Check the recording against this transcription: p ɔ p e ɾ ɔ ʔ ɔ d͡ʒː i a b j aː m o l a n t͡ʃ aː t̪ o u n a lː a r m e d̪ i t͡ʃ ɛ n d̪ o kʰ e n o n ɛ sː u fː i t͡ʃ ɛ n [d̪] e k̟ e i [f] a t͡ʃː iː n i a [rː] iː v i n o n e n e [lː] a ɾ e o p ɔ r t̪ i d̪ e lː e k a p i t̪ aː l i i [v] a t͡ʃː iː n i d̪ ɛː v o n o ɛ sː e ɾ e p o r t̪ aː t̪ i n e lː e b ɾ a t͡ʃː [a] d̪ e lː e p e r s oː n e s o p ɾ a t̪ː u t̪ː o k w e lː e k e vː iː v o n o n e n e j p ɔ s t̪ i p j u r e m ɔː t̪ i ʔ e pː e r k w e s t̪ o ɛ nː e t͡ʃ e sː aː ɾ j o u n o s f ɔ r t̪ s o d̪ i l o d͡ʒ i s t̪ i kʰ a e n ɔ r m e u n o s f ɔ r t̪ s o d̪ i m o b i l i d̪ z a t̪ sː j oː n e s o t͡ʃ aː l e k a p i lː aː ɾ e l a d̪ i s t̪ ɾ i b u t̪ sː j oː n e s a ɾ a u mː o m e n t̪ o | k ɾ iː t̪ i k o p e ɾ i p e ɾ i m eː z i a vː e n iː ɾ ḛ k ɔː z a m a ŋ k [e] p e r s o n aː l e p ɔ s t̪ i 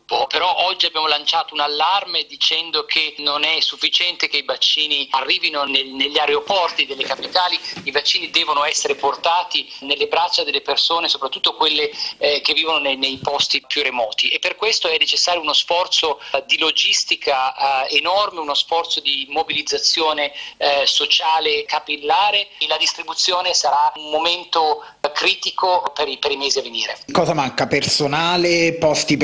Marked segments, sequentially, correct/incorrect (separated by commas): incorrect, incorrect, correct, incorrect, correct, correct, incorrect